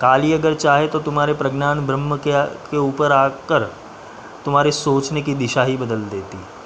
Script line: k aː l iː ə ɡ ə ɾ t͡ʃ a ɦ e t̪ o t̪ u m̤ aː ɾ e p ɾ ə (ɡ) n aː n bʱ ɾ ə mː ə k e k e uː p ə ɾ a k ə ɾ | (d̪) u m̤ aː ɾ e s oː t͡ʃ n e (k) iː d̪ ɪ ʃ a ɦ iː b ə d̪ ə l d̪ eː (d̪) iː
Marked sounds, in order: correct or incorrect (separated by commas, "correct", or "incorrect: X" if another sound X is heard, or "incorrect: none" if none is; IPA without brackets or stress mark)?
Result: correct, incorrect: t̪, correct, incorrect: t̪